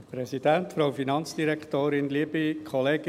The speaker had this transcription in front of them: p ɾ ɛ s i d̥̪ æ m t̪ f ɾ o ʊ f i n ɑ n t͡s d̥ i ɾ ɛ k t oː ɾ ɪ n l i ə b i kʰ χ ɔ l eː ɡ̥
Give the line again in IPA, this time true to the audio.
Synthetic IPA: p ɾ ɛ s i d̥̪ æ n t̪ f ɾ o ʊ f i n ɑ n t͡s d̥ i ɾ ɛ k t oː ɾ ɪ n l i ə b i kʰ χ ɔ l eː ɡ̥